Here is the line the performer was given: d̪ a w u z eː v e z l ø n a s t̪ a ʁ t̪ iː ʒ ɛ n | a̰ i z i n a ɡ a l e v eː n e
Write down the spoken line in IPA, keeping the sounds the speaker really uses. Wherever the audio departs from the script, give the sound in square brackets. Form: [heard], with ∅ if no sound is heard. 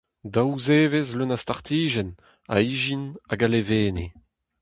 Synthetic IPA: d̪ a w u z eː v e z l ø n a s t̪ a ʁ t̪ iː ʒ ɛ n | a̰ i [ʒ] i n a ɡ a l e v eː n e